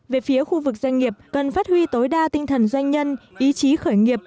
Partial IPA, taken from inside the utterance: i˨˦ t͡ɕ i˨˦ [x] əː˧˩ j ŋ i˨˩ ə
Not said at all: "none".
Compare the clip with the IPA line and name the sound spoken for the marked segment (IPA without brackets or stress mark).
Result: x